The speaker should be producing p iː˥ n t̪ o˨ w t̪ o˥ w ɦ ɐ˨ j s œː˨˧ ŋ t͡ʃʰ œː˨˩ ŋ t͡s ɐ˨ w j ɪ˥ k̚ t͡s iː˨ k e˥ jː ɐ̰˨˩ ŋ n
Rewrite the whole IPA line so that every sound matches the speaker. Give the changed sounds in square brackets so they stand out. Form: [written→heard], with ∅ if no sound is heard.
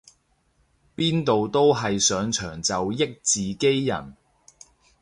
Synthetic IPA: p iː˥ n t̪ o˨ w t̪ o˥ w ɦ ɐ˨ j s œː˨˧ ŋ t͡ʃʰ œː˨˩ ŋ t͡s ɐ˨ w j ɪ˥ k̚ t͡s iː˨ k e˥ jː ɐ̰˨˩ [ŋ→∅] n